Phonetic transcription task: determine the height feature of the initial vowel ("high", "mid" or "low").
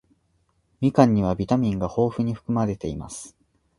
high